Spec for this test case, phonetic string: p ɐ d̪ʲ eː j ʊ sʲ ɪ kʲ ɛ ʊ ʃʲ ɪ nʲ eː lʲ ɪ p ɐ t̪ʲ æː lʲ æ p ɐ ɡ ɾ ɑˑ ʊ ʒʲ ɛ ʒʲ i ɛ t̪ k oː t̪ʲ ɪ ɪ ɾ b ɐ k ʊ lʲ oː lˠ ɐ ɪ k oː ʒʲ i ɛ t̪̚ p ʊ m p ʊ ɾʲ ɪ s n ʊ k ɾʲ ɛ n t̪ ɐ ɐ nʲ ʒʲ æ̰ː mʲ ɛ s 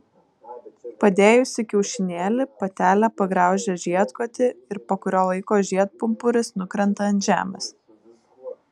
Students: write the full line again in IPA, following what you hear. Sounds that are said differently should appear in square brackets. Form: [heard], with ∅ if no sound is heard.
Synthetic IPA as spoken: p ɐ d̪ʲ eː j ʊ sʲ ɪ kʲ ɛ ʊ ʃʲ ɪ nʲ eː lʲ ɪ p ɐ t̪ʲ æː lʲ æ p ɐ ɡ ɾ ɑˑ ʊ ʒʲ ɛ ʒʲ i ɛ t̪ k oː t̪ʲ ɪ ɪ ɾ [p] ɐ k ʊ [ɾʲ] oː lˠ ɐ ɪ k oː ʒʲ i ɛ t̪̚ p ʊ m p ʊ ɾʲ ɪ s n ʊ k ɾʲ ɛ n t̪ ɐ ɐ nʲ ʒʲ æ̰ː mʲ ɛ s

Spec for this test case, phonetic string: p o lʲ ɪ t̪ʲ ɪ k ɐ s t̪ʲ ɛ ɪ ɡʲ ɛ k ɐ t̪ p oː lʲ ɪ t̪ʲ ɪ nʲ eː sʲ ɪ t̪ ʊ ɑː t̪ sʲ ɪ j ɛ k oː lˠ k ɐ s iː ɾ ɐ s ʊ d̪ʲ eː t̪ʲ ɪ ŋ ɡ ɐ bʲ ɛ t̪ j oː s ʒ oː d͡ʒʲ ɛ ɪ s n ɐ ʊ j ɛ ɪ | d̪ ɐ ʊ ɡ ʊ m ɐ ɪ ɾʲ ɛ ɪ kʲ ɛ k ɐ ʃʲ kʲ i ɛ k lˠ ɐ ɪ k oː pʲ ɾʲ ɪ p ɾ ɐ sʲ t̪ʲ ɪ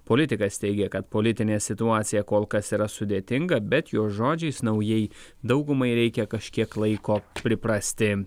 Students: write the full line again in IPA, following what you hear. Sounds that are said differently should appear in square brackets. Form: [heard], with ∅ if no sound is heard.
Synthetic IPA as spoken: p o lʲ ɪ t̪ʲ ɪ k ɐ s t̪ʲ ɛ ɪ ɡʲ ɛ k ɐ t̪ p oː lʲ ɪ t̪ʲ ɪ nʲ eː sʲ ɪ t̪ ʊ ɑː t̪ sʲ ɪ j ɛ k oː lˠ k ɐ s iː ɾ ɐ s ʊ d̪ʲ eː t̪ʲ ɪ ŋ ɡ ɐ bʲ ɛ t̪ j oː s ʒ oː d͡ʒʲ ɛ ɪ s n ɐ ʊ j ɛ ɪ | d̪ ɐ ʊ ɡ ʊ m ɐ ɪ ɾʲ ɛ ɪ kʲ ɛ k ɐ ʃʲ kʲ i ɛ k lˠ ɐ ɪ k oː pʲ ɾʲ ɪ p ɾ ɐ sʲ t̪ʲ ɪ

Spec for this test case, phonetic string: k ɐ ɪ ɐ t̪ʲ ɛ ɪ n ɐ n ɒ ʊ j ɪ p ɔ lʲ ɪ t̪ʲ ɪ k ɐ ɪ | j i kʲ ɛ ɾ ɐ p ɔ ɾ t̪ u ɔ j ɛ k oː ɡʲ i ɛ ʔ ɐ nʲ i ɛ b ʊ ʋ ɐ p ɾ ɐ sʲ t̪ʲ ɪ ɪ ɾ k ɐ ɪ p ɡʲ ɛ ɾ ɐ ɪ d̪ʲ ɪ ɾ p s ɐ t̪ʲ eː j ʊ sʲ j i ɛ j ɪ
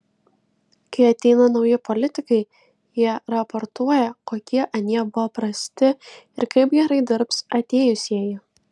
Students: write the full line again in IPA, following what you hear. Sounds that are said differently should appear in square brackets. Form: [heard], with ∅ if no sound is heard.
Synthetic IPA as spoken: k ɐ ɪ ɐ t̪ʲ ɛ ɪ n ɐ n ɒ ʊ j ɪ p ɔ lʲ ɪ t̪ʲ ɪ k ɐ ɪ | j i [∅] ɛ ɾ ɐ p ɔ ɾ t̪ u ɔ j ɛ k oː [kʲ] i ɛ ʔ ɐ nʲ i ɛ b ʊ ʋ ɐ p ɾ ɐ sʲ t̪ʲ ɪ ɪ ɾ k ɐ ɪ p ɡʲ ɛ ɾ ɐ ɪ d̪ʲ ɪ ɾ p s ɐ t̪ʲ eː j ʊ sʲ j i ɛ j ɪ

